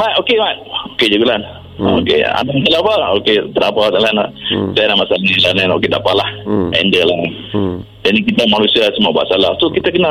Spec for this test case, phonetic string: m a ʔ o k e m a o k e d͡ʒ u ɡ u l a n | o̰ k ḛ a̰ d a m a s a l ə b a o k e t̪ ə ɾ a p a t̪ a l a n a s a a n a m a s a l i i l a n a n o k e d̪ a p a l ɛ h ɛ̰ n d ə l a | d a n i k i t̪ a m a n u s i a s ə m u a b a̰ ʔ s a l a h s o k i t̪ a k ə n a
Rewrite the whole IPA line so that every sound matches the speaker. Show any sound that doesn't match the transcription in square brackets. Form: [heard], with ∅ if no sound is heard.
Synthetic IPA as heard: m a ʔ o k e m a o k e d͡ʒ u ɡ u l a n | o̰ k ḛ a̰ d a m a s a l [a] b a o k e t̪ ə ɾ a p a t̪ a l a n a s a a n a m a s a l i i l a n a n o k e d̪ a p a l [a] h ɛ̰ n d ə l a | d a n i k i t̪ a m a n u s i a s ə m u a b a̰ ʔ s a l a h s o k i t̪ a k ə n a